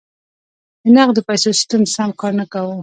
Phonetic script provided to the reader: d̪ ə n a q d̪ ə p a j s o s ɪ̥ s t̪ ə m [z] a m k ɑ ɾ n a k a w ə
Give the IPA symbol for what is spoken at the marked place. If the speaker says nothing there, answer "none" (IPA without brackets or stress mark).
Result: s